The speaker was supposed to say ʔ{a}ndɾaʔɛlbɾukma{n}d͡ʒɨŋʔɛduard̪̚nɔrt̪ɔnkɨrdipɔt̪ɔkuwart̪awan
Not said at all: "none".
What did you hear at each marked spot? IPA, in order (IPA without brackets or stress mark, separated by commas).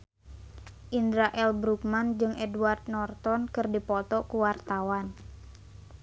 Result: i, n